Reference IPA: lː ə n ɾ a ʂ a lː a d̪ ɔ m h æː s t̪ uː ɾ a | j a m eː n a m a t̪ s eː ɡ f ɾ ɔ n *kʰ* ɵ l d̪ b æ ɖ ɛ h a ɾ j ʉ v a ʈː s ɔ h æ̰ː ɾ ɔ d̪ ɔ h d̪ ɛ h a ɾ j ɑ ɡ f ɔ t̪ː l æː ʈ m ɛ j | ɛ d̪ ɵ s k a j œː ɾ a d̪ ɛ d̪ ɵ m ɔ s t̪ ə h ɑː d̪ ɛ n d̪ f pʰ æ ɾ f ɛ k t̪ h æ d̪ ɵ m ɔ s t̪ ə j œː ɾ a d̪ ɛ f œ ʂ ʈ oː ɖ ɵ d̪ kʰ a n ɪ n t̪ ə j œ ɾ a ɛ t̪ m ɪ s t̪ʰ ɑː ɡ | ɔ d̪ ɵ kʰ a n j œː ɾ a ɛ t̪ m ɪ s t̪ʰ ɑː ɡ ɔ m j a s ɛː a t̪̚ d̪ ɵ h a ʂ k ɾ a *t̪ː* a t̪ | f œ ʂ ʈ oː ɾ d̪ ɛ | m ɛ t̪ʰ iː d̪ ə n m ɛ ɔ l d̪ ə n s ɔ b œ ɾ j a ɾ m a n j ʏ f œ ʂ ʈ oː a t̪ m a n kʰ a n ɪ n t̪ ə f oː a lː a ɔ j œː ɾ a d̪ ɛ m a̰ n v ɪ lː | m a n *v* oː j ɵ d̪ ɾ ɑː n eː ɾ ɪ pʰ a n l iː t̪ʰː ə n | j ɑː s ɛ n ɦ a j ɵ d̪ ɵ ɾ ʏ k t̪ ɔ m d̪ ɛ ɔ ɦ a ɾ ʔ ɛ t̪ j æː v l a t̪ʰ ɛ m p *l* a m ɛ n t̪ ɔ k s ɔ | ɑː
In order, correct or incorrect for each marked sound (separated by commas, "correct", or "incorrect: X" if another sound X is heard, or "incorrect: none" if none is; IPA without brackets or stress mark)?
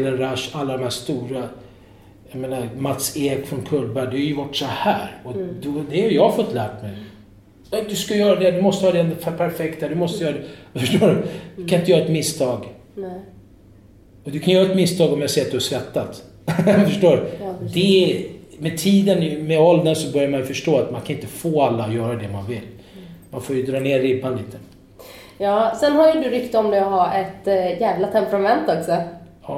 correct, correct, incorrect: f, incorrect: ɾ